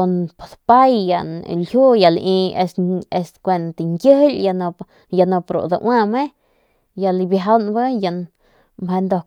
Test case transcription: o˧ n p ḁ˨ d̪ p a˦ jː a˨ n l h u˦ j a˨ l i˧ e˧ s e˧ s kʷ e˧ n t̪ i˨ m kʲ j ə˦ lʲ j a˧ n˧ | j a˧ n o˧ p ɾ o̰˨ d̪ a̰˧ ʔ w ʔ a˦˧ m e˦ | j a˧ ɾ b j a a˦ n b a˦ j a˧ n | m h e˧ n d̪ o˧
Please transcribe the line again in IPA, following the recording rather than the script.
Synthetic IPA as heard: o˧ n p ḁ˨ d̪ p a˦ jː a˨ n l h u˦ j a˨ l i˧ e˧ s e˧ s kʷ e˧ n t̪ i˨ ŋ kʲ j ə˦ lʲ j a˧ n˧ | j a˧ n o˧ p ɾ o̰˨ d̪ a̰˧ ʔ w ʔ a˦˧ m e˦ | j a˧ l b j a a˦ n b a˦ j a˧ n | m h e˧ n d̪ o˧